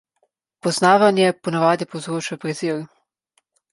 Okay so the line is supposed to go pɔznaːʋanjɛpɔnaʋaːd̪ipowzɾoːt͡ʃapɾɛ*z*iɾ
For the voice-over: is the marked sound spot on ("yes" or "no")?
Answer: yes